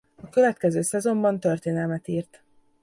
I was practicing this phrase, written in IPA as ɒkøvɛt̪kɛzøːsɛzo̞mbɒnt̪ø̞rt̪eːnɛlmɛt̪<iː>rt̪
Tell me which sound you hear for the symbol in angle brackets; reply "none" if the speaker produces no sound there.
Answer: iː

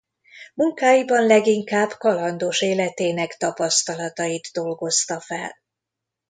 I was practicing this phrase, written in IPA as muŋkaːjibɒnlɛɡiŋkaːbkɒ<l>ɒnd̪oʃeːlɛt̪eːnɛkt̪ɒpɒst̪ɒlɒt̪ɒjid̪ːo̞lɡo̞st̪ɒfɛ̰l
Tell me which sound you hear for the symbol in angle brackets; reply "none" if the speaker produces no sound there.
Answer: l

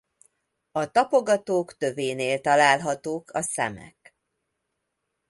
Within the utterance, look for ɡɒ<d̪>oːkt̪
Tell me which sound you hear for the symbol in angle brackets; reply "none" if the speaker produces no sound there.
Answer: t̪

